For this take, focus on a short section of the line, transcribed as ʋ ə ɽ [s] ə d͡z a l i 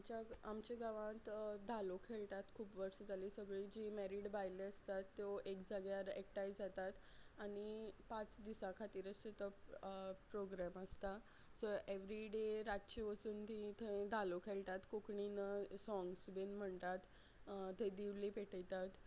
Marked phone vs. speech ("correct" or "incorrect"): correct